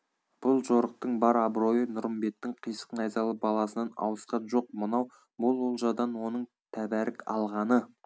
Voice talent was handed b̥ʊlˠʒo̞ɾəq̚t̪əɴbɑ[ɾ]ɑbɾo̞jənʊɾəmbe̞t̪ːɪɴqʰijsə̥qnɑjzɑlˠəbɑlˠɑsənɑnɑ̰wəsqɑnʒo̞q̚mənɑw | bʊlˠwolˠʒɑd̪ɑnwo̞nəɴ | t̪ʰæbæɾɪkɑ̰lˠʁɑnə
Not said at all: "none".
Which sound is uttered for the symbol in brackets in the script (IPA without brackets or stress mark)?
ɾ